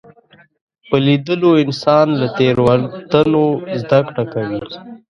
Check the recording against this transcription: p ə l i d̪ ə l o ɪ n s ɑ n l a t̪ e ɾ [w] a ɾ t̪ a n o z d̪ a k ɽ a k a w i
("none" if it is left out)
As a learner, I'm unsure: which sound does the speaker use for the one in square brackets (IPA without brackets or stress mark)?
w